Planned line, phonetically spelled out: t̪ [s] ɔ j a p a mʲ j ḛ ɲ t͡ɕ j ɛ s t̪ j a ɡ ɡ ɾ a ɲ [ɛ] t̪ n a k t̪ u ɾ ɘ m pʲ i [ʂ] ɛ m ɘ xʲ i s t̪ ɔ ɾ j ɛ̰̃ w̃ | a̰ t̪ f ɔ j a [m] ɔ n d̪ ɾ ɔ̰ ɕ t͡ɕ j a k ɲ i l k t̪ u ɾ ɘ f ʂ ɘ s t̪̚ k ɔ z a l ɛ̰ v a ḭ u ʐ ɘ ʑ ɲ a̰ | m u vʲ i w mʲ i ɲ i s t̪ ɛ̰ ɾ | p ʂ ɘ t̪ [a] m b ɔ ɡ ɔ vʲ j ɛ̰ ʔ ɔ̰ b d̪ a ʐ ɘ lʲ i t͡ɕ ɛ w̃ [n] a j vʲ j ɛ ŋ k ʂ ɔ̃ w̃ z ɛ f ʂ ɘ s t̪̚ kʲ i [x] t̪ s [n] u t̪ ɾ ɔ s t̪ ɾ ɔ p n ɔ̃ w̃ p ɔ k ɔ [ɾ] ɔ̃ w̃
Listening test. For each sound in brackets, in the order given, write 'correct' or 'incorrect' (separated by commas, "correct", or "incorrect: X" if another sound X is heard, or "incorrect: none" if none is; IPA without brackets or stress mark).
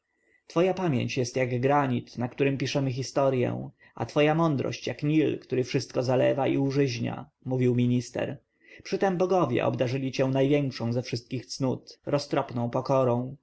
incorrect: f, incorrect: i, correct, correct, incorrect: ɛ, correct, correct, correct, correct